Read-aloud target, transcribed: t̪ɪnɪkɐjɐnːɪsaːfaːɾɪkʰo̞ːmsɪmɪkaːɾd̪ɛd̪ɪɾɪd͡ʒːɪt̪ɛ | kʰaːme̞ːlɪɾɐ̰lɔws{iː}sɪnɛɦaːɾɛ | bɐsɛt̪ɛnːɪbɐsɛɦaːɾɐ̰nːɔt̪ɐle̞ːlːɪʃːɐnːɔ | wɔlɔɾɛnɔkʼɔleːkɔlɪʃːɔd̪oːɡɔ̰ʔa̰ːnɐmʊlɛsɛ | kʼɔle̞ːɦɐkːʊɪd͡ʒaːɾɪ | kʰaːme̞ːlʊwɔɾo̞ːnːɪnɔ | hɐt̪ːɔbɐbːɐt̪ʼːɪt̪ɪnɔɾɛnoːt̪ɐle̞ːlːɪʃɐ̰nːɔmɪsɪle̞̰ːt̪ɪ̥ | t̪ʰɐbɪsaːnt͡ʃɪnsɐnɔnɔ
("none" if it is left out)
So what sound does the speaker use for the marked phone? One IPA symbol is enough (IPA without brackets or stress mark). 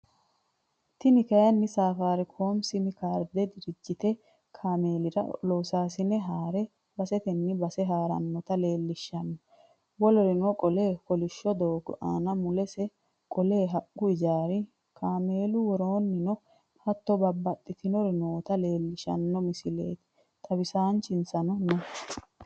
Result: aː